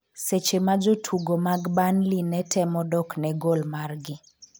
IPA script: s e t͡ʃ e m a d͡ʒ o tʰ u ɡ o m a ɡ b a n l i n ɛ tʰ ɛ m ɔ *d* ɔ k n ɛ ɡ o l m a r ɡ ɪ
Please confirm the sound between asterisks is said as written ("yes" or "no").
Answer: yes